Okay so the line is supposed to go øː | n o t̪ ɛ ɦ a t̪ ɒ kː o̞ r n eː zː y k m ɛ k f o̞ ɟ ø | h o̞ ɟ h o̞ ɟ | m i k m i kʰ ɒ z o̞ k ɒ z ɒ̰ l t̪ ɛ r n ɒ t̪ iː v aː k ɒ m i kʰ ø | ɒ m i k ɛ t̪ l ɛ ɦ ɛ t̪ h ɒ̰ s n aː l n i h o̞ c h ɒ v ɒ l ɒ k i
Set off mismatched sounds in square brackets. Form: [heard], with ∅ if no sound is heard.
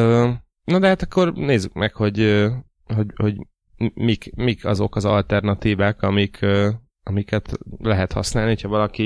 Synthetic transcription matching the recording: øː | n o [d̪] ɛ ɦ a t̪ ɒ kː o̞ r n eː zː y k m ɛ k [h] o̞ ɟ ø | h o̞ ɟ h o̞ ɟ | m i k m i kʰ ɒ z o̞ k ɒ z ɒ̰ l t̪ ɛ r n ɒ t̪ iː v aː k ɒ m i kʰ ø | ɒ m i k ɛ t̪ l ɛ ɦ ɛ t̪ h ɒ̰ s n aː l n i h o̞ c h ɒ v ɒ l ɒ k i